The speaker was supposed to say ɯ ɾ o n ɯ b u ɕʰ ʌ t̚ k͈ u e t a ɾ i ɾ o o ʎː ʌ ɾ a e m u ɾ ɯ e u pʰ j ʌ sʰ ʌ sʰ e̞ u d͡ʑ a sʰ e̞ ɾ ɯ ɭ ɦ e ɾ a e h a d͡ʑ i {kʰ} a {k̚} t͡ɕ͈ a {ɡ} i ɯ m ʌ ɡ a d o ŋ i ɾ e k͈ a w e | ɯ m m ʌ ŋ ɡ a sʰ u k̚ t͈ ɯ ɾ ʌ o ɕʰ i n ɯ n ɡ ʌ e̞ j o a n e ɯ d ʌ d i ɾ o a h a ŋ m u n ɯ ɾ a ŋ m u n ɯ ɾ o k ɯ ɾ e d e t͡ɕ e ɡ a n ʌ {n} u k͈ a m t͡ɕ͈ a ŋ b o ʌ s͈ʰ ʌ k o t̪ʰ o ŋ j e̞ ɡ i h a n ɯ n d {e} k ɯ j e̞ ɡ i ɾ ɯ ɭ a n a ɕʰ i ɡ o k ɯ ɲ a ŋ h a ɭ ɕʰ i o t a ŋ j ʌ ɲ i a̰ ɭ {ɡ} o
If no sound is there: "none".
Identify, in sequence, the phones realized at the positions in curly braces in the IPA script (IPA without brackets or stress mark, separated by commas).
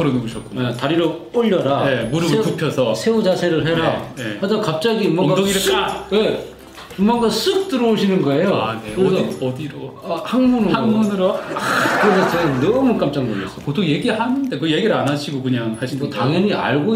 k, p̚, ɡ, m, e, ɡ